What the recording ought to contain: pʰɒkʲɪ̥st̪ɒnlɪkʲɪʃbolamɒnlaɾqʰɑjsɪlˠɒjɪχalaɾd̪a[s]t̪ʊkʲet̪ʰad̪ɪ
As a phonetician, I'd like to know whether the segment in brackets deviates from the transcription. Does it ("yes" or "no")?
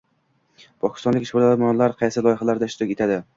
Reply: yes